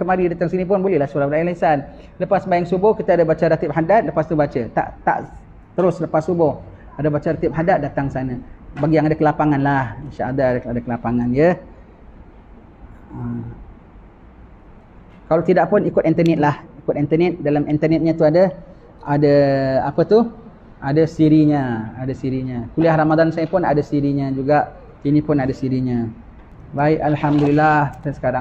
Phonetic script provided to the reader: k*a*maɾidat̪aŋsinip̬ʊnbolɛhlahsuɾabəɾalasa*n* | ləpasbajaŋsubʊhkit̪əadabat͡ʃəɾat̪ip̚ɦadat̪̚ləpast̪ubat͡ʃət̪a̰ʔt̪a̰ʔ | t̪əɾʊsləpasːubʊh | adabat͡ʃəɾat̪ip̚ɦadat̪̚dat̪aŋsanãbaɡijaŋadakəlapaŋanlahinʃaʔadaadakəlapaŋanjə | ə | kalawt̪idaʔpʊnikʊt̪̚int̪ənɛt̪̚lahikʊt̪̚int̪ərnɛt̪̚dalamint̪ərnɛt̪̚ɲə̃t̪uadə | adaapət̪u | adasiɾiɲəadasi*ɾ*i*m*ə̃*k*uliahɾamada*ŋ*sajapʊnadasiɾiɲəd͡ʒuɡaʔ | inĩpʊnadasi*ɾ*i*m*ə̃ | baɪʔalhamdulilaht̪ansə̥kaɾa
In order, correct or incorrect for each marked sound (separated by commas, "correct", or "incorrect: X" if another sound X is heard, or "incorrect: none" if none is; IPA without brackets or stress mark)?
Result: incorrect: ə, correct, correct, incorrect: ɲ, correct, incorrect: n, correct, incorrect: ɲ